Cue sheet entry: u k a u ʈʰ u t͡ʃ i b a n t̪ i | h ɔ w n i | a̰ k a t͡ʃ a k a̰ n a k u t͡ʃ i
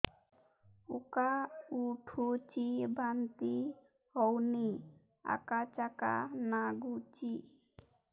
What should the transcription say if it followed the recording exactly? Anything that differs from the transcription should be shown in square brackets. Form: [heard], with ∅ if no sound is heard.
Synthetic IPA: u k a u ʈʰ u t͡ʃ i b a n t̪ i | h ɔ w n i | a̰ k a t͡ʃ a k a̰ n a [ɡ] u t͡ʃ i

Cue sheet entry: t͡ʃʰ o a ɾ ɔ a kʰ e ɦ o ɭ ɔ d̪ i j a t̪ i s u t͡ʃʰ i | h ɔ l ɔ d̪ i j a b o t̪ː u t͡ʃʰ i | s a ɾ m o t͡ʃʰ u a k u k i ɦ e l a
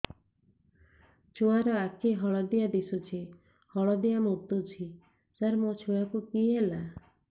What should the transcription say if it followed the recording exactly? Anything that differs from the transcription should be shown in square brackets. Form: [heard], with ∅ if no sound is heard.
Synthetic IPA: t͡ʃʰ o a ɾ ɔ a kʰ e ɦ [ɔ] ɭ ɔ d̪ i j a [d̪] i s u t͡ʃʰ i | h ɔ [ɭ] ɔ d̪ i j a [m] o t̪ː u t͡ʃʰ i | s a ɾ m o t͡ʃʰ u a k u k i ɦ e l a

